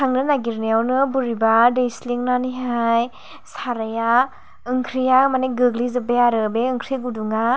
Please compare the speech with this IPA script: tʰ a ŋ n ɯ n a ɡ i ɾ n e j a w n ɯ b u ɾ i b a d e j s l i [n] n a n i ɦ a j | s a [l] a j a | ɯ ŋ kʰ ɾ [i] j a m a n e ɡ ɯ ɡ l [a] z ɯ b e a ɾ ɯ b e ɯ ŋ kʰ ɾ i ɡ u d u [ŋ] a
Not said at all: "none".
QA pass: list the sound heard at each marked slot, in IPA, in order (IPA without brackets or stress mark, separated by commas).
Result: ŋ, ɾ, i, i, ŋ